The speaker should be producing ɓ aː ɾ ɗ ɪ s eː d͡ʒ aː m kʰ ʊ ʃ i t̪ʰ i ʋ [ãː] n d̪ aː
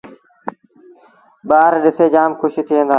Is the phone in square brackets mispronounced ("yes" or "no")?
yes